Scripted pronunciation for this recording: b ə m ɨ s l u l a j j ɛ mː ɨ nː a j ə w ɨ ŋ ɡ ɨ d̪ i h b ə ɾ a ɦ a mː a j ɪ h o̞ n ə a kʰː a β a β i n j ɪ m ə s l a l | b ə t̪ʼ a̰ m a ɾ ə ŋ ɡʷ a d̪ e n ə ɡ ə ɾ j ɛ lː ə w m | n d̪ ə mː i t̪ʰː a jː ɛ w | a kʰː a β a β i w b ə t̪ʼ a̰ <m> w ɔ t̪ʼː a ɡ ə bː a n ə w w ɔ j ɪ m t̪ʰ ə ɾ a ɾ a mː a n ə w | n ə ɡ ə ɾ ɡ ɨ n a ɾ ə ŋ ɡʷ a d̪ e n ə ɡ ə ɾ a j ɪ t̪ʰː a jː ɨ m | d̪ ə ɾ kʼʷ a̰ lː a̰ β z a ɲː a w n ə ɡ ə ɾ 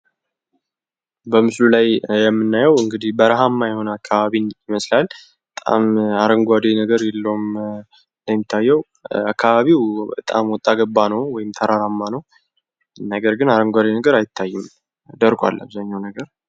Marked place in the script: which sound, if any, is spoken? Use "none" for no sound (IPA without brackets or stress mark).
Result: m